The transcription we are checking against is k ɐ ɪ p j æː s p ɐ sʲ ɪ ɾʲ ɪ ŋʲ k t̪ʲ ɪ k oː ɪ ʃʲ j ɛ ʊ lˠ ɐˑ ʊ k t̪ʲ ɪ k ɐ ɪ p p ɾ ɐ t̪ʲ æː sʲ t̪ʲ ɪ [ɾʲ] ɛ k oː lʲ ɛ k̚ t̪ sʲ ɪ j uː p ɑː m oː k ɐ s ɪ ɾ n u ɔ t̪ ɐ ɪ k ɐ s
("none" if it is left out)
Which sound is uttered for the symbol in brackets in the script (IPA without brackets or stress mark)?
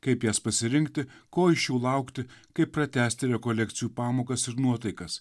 ɾʲ